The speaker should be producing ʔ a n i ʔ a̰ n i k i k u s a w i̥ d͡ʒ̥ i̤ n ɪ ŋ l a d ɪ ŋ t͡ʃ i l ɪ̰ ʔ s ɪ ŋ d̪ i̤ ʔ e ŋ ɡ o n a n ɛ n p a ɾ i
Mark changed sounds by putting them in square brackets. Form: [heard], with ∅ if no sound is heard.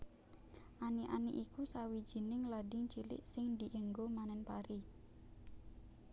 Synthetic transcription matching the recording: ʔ a n i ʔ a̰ n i [ʔ] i k u s a w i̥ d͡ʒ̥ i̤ n ɪ ŋ l a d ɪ ŋ t͡ʃ i l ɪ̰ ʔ s ɪ ŋ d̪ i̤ ʔ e ŋ ɡ o [m] a n ɛ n p a ɾ i